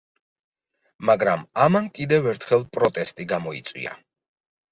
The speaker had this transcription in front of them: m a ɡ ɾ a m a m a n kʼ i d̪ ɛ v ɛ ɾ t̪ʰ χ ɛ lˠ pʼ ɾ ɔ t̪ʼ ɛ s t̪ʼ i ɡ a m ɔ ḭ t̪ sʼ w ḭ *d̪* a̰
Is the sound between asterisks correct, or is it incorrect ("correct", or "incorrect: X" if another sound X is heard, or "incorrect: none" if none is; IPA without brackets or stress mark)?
incorrect: none